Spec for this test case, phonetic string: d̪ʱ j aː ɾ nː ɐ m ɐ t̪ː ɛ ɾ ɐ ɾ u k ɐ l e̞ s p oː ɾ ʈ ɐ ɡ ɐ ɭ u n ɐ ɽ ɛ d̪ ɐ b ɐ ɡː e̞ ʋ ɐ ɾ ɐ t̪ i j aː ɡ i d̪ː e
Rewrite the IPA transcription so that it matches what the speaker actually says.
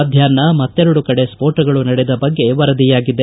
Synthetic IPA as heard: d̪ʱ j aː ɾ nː ɐ m ɐ t̪ː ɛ ɾ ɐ ɽ u k ɐ ɽ e̞ s p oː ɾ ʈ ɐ ɡ ɐ ɭ u n ɐ ɽ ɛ d̪ ɐ b ɐ ɡː e̞ ʋ ɐ ɾ ɐ d̪ i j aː ɡ i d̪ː e